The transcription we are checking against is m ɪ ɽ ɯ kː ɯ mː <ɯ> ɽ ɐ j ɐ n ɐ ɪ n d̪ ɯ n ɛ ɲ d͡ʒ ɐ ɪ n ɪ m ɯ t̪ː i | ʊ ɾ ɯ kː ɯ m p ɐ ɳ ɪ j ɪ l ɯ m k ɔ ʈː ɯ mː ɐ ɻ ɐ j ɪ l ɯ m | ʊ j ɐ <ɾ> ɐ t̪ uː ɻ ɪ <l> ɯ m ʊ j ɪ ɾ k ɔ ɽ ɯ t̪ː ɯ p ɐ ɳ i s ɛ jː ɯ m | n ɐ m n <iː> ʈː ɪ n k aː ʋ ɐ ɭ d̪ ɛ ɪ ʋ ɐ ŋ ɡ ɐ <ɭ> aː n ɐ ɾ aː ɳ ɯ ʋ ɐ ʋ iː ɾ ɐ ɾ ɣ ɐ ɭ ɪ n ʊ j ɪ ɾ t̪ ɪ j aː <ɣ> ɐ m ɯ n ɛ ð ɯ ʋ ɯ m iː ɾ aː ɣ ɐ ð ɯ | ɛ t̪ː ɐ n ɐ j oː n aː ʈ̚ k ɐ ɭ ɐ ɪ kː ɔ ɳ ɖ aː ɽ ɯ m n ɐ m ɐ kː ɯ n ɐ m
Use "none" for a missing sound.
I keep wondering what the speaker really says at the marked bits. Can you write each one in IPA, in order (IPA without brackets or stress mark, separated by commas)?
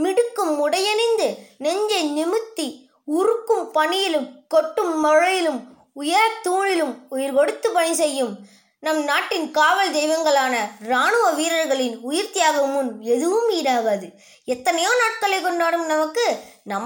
ʊ, ɾ, l, aː, ɭ, ɣ